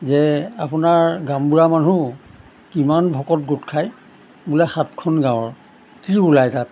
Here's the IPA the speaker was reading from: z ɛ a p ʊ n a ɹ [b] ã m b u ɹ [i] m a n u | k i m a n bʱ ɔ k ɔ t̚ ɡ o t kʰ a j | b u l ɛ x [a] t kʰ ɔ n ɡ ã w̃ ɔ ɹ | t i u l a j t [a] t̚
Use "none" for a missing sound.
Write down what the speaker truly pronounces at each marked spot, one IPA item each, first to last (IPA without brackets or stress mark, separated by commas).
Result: ɡ, a, a, a